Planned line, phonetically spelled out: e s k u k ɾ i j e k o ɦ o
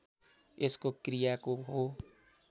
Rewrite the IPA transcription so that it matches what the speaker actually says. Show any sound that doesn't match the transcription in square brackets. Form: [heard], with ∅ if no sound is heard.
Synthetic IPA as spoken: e s k [o] k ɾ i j [a] k o ɦ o